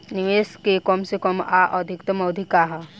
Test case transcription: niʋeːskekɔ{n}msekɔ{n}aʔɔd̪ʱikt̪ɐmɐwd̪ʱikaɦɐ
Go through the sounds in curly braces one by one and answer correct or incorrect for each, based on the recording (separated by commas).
incorrect, incorrect